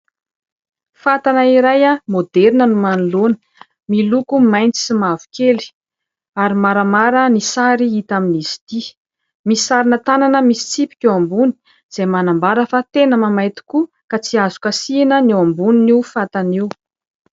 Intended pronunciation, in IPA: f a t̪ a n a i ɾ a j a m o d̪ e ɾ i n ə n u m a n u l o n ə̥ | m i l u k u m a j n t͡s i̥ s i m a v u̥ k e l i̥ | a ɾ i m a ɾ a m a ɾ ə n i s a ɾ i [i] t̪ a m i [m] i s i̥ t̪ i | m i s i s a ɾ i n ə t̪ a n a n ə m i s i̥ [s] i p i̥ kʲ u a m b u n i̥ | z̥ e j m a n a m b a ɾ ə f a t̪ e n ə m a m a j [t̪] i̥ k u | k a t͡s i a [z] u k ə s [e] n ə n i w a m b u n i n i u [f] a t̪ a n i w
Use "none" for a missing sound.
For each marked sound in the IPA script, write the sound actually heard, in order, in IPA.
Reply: i, n, t͡s, t̪, z, i, f

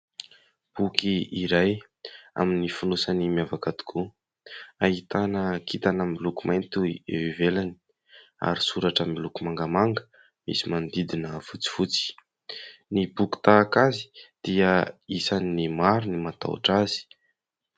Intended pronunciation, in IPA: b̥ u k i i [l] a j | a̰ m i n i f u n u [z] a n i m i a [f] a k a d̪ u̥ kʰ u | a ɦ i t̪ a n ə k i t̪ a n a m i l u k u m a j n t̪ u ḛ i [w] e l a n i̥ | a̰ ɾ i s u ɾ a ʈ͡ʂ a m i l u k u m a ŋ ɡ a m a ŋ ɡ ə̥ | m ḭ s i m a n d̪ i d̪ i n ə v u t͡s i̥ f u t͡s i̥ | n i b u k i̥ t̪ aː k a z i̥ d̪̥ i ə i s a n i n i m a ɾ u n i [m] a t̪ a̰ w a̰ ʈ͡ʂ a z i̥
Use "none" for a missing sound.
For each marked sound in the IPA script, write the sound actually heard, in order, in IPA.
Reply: ɾ, s, v, v, m

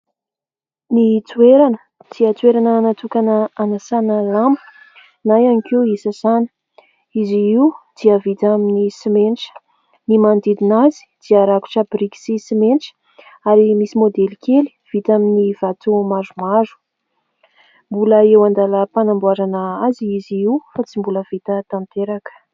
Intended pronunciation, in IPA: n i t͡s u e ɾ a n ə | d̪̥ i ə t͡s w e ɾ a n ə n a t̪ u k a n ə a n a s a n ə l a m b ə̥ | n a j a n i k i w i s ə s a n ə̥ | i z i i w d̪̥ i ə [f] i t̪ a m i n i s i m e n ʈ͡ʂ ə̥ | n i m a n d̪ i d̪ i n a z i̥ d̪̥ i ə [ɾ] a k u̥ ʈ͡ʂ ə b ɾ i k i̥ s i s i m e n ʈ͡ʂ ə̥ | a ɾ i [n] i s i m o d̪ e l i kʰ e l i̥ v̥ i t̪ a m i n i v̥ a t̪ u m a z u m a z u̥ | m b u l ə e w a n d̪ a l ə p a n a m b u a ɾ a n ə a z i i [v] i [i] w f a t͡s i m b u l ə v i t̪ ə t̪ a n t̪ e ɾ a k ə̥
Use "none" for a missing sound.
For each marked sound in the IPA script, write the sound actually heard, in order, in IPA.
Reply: v, ɾ, m, z, i

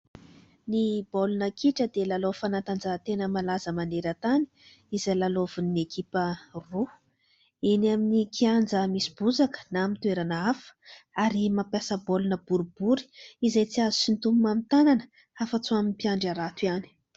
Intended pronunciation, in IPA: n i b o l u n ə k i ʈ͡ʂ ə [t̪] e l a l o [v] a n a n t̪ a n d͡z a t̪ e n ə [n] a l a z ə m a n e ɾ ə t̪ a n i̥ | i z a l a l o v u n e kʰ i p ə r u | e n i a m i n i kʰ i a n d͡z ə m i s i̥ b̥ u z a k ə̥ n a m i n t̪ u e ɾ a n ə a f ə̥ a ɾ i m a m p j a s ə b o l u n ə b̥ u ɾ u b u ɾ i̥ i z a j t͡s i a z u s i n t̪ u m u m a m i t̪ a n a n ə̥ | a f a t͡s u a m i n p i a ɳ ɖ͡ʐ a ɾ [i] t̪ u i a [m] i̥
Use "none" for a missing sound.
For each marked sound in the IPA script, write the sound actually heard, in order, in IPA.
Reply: d̪, f, m, a, n

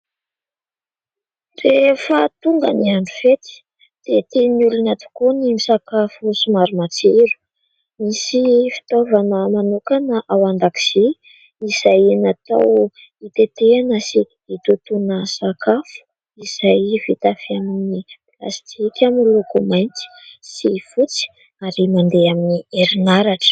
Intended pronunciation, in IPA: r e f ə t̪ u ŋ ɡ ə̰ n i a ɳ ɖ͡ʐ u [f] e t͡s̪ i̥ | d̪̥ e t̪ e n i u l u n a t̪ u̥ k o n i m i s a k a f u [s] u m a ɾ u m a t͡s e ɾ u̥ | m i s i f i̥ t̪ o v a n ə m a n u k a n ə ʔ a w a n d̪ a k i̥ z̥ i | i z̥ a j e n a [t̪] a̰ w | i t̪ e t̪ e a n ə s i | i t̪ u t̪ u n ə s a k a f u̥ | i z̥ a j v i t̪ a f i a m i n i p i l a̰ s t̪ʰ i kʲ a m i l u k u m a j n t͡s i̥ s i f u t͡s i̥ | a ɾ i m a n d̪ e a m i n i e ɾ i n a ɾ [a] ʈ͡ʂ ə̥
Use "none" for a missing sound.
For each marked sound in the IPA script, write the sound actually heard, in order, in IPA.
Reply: f, s, t̪, a

